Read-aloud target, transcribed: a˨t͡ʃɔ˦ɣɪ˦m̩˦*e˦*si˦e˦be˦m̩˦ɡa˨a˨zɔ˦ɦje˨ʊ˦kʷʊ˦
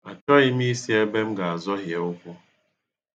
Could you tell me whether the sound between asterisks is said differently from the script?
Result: yes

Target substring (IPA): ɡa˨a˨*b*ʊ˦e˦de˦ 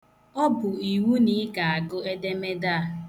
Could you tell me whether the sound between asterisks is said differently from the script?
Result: yes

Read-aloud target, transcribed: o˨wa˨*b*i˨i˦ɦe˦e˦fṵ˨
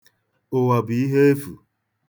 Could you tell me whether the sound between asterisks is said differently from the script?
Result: no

